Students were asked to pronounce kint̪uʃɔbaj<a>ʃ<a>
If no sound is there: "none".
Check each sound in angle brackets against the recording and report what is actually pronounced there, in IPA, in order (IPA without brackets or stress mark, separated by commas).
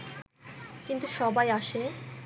a, e